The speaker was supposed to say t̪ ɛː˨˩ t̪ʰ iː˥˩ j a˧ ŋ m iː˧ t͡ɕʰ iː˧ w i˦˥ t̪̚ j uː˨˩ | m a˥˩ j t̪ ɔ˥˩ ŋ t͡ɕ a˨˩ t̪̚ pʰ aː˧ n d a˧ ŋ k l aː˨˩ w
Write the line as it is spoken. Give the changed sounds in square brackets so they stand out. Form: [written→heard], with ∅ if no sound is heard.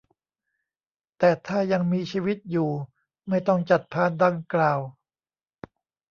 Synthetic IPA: t̪ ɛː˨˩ t̪ʰ [iː˥˩→aː˥˩] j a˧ ŋ m iː˧ t͡ɕʰ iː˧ w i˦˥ t̪̚ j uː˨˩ | m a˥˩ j t̪ ɔ˥˩ ŋ t͡ɕ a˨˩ t̪̚ pʰ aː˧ n d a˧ ŋ k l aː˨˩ w